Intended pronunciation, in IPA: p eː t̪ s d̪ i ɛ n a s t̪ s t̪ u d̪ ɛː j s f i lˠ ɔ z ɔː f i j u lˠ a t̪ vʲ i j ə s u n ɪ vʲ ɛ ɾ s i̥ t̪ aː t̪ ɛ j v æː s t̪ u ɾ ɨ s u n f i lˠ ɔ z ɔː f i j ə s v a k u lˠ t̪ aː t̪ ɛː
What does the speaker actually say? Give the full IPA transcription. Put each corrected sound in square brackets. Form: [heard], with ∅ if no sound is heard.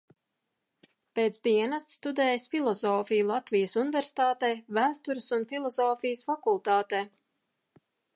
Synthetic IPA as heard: p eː t̪ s d̪ i ɛ n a s t̪ s t̪ u d̪ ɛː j s f i lˠ ɔ z ɔː f i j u lˠ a t̪ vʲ i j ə s u n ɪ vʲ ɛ ɾ s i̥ t̪ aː t̪ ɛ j v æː s t̪ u ɾ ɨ s u n f i lˠ ɔ z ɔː f i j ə s [f] a k u lˠ t̪ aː t̪ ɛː